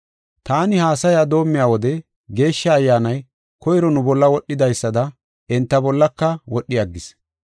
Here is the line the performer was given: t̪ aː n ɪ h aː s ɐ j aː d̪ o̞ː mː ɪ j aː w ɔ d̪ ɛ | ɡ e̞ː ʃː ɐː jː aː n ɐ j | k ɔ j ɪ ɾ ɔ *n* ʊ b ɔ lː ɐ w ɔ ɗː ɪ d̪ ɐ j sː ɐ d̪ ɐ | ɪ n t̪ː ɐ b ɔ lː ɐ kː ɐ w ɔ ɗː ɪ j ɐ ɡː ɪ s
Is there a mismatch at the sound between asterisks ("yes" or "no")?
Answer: no